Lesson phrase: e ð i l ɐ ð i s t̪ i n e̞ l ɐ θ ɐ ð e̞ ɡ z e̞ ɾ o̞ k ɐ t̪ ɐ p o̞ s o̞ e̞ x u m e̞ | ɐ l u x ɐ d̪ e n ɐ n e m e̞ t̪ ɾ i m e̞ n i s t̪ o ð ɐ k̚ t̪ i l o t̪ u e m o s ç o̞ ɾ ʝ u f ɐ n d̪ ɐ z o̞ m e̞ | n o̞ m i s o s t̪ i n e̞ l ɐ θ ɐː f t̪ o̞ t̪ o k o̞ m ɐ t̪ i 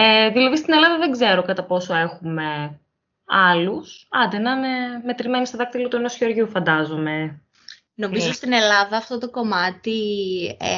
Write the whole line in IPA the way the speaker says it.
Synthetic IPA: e ð i l ɐ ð i s t̪ i n e̞ l ɐ ð ɐ ð e̞ ɡ z e̞ ɾ o̞ k ɐ t̪ ɐ p o̞ s o̞ e̞ x u m e̞ | ɐ l u s ɐ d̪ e n ɐ n e m e̞ t̪ ɾ i m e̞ n i s t̪ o ð ɐ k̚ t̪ i l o t̪ u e n o s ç o̞ ɾ ʝ u f ɐ n d̪ ɐ z o̞ m e̞ | n o̞ m i z o s t̪ i n e̞ l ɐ ð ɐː f t̪ o̞ t̪ o k o̞ m ɐ t̪ i